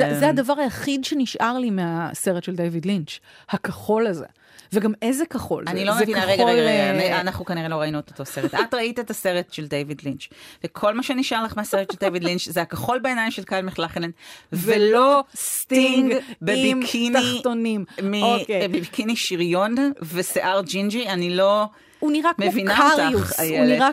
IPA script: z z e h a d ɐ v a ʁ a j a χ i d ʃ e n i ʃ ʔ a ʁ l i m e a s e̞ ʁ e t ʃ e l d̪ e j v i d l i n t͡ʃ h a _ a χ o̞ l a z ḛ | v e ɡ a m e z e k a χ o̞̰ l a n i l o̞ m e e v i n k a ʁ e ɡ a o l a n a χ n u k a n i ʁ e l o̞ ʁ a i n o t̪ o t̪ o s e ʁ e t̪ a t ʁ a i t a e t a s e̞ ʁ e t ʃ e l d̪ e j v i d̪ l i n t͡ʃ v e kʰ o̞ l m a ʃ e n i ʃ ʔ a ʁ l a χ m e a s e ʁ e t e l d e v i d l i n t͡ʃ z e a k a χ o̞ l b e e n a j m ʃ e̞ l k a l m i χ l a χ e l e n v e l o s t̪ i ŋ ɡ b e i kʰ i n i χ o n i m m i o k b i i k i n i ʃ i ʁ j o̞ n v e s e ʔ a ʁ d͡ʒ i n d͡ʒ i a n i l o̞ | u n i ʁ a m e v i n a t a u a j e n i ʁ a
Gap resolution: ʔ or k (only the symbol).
k